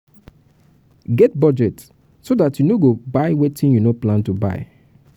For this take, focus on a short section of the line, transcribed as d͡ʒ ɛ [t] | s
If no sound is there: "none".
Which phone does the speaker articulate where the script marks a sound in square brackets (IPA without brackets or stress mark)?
t